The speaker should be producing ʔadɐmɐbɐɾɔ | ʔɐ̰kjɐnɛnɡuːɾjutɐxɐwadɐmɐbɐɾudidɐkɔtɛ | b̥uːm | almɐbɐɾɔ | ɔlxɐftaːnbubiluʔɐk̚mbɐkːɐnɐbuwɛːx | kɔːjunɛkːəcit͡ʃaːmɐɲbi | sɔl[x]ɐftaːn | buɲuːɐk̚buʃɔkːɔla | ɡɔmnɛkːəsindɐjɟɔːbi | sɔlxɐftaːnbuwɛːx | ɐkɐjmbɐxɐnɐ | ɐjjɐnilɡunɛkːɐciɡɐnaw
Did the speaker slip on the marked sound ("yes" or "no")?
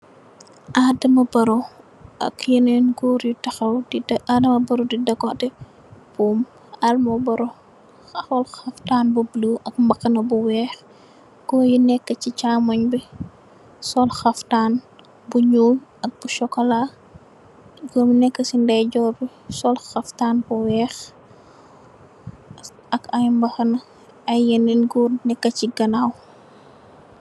no